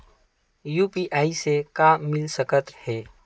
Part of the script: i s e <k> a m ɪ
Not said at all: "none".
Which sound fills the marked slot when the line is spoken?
k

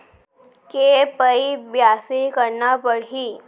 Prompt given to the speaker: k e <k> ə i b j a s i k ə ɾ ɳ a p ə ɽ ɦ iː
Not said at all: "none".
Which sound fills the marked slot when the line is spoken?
p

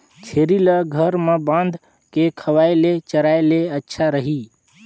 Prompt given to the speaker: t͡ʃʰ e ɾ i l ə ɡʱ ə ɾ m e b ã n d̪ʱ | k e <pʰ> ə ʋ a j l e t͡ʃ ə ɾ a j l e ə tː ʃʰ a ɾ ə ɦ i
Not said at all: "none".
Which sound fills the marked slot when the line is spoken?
kʰ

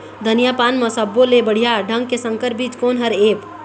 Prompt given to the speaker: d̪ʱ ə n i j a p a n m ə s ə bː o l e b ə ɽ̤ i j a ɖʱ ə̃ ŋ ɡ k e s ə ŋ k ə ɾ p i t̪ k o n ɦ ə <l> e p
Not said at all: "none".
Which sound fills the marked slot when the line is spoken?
ɾ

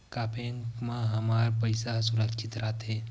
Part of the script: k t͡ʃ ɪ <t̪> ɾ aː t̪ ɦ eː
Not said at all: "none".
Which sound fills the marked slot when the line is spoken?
t̪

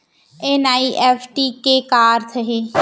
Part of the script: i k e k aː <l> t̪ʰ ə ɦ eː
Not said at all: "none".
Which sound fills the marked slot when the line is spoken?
ɾ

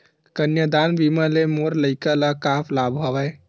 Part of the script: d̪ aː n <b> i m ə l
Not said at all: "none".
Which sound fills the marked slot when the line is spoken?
b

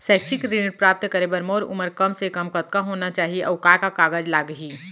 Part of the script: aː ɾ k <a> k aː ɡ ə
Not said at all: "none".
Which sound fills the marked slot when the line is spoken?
a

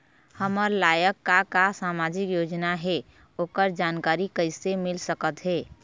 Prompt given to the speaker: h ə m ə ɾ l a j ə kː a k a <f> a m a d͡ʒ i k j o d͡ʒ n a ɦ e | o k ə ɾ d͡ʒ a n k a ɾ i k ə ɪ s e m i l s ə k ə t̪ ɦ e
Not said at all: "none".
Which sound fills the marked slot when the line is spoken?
s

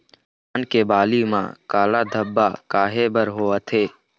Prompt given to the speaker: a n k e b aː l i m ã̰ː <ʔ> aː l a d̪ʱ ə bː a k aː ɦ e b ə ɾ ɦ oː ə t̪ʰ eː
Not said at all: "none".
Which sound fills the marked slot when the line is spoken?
k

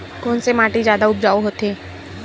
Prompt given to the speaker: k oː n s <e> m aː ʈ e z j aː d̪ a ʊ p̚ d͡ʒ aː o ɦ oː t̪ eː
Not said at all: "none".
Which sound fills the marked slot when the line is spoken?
e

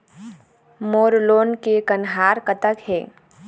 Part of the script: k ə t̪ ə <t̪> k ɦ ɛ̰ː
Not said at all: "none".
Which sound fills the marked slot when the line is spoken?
none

